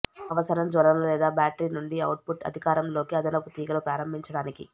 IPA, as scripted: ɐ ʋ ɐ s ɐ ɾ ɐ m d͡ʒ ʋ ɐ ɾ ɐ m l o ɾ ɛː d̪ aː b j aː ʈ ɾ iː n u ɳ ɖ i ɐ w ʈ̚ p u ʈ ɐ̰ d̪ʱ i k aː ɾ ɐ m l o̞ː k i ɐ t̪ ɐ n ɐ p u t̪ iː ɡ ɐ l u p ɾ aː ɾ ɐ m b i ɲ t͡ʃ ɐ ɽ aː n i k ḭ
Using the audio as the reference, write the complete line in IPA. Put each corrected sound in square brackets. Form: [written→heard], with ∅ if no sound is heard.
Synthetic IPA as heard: ɐ ʋ ɐ s ɐ ɾ ɐ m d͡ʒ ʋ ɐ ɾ ɐ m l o [ɾ→l] ɛː d̪ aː b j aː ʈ ɾ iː n u ɳ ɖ i ɐ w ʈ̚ p u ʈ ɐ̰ d̪ʱ i k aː ɾ ɐ m l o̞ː k i ɐ [t̪→d̪] ɐ n ɐ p u t̪ iː ɡ ɐ l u p ɾ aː ɾ ɐ m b i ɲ t͡ʃ ɐ ɽ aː n i k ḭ